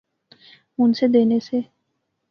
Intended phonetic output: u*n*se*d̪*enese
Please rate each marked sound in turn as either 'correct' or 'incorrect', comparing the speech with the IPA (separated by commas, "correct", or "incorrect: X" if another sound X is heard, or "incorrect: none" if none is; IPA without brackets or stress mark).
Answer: correct, correct